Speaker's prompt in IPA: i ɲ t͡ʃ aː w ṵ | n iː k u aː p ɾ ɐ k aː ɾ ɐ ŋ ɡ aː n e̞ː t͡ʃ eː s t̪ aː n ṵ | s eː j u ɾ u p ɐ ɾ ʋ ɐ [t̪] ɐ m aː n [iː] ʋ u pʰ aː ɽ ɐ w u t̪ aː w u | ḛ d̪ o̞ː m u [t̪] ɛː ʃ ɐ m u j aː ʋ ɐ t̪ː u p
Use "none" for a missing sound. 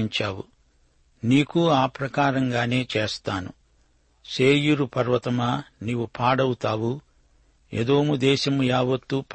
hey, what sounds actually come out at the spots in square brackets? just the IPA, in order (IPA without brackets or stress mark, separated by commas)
t̪, iː, d̪